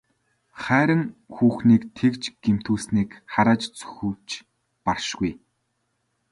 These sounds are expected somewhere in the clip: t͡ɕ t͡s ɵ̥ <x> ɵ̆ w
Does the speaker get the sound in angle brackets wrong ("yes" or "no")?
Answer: no